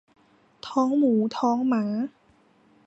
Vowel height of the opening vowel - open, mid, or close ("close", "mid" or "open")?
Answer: mid